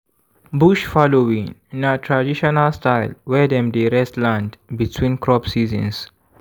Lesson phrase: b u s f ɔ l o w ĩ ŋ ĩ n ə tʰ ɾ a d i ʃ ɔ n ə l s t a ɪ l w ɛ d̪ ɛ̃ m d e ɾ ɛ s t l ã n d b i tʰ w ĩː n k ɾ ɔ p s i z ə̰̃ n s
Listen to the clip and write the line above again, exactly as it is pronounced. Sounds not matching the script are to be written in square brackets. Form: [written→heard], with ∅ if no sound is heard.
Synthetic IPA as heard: b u [s→ʃ] f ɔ l o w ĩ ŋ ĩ n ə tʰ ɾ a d i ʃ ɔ n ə l s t a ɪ l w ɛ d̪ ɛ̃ m d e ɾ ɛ s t l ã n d b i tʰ w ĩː n k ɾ ɔ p s i z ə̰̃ n s